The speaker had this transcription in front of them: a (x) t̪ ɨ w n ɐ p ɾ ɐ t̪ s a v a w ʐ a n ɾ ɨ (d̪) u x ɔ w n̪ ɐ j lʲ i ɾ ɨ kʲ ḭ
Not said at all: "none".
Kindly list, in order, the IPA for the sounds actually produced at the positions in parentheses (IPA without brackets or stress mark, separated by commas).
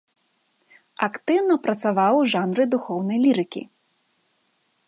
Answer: k, d̪